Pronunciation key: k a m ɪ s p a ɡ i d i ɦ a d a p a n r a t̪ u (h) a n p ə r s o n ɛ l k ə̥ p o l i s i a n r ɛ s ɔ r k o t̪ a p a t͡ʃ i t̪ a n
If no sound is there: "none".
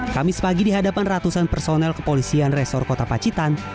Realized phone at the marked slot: s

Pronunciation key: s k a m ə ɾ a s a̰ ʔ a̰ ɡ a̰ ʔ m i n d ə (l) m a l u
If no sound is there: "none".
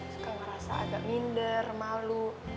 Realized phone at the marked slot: r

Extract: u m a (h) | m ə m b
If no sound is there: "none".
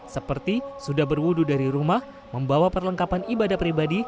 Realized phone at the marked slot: h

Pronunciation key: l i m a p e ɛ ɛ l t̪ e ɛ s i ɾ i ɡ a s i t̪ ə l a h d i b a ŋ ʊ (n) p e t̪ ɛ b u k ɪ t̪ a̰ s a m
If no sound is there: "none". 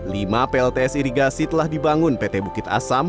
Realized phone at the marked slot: n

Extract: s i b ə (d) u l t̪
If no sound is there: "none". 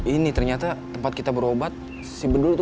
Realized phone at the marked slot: d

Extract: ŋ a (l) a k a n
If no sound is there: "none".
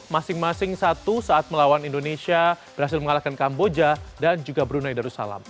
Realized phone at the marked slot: l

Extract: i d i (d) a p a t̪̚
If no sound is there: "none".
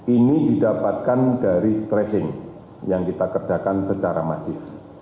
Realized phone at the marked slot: d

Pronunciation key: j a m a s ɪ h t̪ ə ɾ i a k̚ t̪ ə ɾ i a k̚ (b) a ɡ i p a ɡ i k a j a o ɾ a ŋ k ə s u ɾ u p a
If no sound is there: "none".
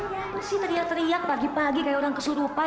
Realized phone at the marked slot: p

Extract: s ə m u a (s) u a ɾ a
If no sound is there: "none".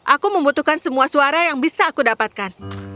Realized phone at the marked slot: s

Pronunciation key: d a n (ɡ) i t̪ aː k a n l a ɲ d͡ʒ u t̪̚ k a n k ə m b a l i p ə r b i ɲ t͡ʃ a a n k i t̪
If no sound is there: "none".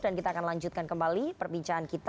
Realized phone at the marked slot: k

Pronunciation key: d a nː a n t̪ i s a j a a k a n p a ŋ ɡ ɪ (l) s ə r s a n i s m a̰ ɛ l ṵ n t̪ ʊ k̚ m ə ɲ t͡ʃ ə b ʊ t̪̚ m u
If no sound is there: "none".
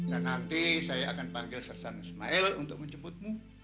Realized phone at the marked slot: l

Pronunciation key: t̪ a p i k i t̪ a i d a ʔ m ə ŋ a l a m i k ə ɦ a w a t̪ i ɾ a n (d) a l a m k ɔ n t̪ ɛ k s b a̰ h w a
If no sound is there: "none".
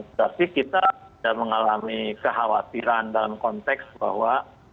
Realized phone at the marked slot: d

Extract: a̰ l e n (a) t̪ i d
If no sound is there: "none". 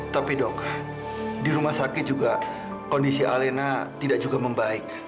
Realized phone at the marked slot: a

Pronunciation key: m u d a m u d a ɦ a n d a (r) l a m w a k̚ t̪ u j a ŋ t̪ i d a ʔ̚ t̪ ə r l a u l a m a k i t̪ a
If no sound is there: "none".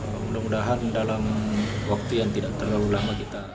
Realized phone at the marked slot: none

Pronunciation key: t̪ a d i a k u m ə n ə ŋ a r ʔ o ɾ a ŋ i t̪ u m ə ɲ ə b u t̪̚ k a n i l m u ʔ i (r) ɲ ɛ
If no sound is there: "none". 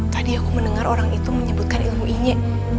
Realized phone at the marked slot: none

